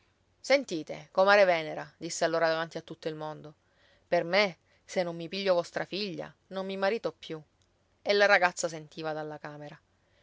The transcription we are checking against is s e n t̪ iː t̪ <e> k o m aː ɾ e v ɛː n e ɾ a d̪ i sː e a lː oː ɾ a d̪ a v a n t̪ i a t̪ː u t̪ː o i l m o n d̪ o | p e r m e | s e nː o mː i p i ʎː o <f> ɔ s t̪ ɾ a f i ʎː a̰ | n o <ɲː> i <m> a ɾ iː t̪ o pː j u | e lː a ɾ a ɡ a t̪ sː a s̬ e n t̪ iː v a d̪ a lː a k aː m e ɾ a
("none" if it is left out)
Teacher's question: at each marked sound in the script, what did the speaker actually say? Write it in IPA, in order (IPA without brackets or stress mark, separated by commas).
e, v, mː, m